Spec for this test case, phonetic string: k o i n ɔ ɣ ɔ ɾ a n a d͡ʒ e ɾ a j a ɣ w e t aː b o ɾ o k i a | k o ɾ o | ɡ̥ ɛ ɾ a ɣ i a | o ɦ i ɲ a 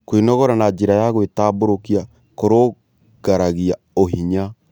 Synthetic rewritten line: k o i n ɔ ɣ ɔ ɾ a n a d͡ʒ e ɾ a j a ɣ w e t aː b o ɾ o k i a | k o ɾ o | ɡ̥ a ɾ a ɣ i a | o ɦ i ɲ a